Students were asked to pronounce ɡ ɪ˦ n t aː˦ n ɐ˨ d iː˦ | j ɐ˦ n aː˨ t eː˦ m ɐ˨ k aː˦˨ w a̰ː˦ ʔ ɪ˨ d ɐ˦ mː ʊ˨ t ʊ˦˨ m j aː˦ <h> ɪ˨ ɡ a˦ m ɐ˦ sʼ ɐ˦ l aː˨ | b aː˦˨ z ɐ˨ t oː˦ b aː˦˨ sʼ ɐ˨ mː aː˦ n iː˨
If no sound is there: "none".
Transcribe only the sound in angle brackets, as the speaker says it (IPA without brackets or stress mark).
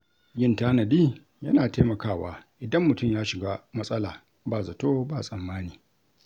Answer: ʃ